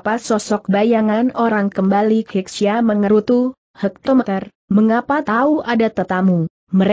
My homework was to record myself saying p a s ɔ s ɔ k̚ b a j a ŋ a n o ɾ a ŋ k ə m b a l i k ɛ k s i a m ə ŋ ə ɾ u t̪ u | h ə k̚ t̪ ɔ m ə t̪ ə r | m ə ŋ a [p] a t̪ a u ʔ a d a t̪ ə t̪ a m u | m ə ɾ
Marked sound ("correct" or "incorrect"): correct